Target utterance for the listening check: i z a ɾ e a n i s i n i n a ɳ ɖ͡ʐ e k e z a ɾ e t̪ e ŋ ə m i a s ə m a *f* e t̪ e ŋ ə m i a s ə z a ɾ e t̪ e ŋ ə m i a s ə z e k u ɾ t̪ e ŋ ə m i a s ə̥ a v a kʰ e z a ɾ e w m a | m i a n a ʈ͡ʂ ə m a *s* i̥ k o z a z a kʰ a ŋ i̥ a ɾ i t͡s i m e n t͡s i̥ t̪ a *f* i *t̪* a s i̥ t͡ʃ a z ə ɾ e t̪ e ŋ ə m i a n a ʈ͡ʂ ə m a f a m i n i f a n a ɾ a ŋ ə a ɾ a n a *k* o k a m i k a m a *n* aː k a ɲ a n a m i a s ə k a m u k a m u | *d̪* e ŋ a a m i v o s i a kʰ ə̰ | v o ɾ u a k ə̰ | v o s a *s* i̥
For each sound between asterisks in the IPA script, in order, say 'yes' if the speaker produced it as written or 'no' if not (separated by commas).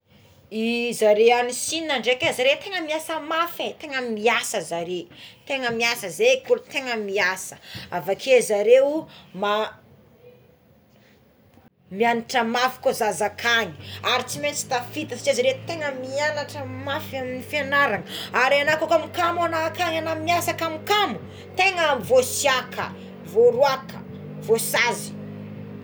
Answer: yes, no, yes, yes, yes, yes, no, no